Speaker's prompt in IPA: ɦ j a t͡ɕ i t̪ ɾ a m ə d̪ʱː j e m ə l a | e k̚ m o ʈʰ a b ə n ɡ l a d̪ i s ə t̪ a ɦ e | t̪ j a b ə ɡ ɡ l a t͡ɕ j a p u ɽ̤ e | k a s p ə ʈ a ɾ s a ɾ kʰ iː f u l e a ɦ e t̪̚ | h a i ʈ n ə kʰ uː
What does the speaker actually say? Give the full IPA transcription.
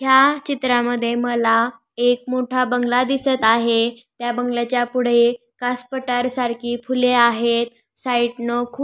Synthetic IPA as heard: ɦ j a t͡ɕ i t̪ ɾ a m ə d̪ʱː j e m ə l a | e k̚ m o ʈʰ a b ə ŋ ɡ l a d̪ i s ə t̪ a ɦ e | t̪ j a b ə ŋ ɡ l a t͡ɕ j a p u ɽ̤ e | k a s p ə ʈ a ɾ s a ɾ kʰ iː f u l e a ɦ e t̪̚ | s a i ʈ n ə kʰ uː